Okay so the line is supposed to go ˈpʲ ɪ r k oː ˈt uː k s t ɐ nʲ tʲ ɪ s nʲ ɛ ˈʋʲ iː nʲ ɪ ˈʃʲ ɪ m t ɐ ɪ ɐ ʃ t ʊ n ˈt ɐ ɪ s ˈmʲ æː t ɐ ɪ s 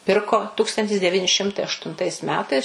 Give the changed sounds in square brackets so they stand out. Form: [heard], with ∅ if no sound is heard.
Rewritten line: ˈpʲ ɪ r k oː ˈt uː k s t ɐ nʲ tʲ ɪ s [dʲ] ɛ ˈʋʲ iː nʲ ɪ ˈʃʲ ɪ m t ɐ ɪ ɐ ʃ t ʊ n ˈt ɐ ɪ s ˈmʲ æː t ɐ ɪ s